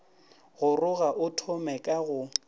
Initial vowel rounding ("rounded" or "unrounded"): rounded